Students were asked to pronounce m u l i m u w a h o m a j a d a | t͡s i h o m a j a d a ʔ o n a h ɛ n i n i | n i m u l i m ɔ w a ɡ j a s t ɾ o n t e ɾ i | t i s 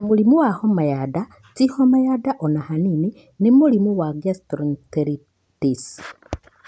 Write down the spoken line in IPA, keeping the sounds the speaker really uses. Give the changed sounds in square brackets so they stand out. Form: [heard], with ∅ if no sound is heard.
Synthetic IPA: m u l i m u w a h o m a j a d a | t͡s i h o m a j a d a ʔ o n a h [a] n i n i | n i m u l i m [u] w a ɡ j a s t ɾ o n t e ɾ i | t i s